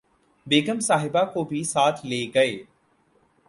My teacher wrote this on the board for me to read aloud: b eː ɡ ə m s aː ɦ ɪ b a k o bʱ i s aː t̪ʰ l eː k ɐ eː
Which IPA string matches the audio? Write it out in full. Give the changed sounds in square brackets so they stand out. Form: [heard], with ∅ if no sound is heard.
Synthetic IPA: b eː ɡ ə m s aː ɦ ɪ b a k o bʱ i s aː t̪ʰ l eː [ɡ] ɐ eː

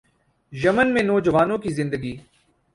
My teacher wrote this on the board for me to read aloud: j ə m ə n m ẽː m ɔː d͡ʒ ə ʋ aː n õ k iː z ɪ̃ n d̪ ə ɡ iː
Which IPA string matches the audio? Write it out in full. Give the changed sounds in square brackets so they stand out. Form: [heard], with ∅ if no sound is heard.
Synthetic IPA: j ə m ə n m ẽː [n] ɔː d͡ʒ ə ʋ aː n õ k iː z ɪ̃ n d̪ ə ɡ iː

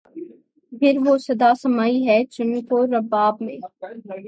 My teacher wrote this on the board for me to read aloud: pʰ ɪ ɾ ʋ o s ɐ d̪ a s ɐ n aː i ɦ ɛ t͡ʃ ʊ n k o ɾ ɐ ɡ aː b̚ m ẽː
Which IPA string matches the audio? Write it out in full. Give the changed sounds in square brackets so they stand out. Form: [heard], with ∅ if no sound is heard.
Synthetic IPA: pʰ ɪ ɾ ʋ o s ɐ d̪ a s ɐ [m] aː i ɦ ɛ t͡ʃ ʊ n k o ɾ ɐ [b] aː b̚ m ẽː

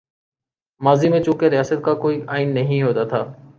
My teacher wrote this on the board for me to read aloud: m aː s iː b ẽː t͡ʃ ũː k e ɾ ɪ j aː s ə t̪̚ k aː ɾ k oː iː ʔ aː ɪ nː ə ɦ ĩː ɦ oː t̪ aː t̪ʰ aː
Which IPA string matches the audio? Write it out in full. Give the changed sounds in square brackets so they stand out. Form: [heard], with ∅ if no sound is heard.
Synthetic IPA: m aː [z] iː [m] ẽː t͡ʃ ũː k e ɾ ɪ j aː s ə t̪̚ k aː [∅] k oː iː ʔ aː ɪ nː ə ɦ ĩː ɦ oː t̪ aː t̪ʰ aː

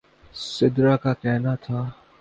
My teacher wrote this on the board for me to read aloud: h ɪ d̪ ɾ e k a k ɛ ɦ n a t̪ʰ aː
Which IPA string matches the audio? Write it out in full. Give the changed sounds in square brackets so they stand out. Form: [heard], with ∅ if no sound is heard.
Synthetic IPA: [s] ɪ d̪ ɾ [a] k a k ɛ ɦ n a t̪ʰ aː

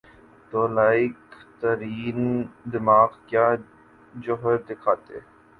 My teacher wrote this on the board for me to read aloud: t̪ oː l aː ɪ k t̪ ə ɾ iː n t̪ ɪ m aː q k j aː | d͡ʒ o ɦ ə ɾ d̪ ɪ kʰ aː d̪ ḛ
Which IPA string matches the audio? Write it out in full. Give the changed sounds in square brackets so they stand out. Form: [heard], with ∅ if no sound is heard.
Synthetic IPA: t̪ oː l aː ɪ k t̪ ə ɾ iː n [d̪] ɪ m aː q k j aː | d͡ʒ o ɦ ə ɾ d̪ ɪ kʰ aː [t̪] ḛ

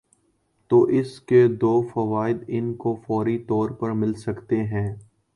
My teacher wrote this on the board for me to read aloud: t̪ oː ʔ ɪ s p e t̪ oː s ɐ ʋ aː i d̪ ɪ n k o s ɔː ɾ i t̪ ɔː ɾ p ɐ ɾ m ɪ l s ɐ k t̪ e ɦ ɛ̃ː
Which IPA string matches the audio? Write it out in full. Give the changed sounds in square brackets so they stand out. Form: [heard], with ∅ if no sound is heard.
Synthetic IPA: t̪ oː ʔ ɪ s [k] e [d̪] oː [f] ɐ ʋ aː [ɪ] d̪ ɪ n k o [f] ɔː ɾ i t̪ ɔː ɾ p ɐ ɾ m ɪ l s ɐ k t̪ e ɦ ɛ̃ː

